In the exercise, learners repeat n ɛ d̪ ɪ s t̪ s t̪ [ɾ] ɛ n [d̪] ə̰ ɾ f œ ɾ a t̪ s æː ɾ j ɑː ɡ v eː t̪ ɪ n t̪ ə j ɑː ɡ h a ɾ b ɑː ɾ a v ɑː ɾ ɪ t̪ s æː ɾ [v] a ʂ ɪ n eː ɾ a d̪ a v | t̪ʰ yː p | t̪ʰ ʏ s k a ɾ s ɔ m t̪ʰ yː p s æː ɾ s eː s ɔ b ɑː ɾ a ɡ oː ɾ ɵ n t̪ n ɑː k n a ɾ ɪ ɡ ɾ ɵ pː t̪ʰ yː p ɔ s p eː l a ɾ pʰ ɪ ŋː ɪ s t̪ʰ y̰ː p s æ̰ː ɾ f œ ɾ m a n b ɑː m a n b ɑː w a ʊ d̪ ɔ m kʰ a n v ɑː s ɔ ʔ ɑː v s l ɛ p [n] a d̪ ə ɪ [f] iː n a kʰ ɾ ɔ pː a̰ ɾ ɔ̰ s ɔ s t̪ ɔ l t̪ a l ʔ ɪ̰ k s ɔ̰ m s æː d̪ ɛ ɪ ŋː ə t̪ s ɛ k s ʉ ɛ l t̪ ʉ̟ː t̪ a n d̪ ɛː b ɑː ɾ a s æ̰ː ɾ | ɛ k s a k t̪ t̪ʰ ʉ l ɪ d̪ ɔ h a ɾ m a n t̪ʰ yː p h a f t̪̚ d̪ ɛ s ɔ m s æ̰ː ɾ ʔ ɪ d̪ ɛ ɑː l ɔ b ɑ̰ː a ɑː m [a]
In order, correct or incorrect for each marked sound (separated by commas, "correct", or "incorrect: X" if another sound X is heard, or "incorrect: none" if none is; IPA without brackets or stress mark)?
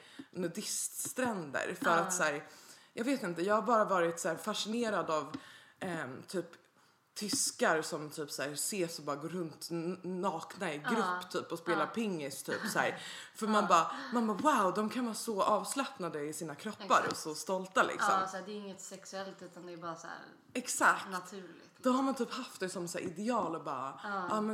correct, correct, incorrect: f, correct, incorrect: s, incorrect: ɛ